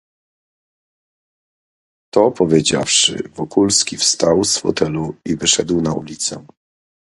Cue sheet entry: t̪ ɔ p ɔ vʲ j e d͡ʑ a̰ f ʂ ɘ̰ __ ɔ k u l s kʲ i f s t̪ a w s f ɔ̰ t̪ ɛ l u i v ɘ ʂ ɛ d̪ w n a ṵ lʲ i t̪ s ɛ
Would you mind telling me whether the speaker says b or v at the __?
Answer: v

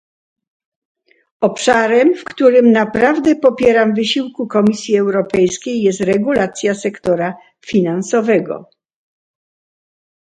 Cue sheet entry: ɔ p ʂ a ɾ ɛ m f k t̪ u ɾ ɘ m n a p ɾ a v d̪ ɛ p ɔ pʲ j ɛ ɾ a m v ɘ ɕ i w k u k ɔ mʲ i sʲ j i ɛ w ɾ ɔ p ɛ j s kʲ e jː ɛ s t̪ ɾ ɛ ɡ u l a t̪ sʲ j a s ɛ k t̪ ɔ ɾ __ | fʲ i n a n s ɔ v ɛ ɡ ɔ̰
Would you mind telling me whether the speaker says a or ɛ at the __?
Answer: a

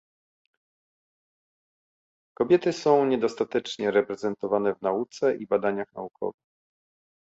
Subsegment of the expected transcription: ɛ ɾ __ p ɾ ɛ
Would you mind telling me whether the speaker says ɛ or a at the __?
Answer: ɛ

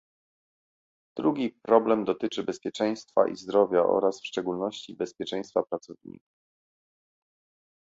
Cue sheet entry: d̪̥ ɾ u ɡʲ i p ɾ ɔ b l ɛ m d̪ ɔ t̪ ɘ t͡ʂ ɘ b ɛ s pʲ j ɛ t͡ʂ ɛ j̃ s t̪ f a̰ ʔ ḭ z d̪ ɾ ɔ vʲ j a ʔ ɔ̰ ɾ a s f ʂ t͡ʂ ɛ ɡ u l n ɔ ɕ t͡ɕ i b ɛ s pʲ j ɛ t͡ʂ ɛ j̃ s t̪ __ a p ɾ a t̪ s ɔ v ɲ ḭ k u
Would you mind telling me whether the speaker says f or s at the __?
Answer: f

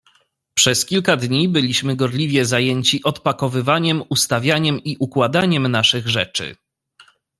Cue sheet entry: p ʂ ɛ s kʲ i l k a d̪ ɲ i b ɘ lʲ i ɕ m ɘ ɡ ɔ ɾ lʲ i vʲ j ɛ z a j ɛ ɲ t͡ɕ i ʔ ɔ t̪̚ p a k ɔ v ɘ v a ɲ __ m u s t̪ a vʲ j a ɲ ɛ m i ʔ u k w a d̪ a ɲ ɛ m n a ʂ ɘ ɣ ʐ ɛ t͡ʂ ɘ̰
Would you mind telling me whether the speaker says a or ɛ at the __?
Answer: ɛ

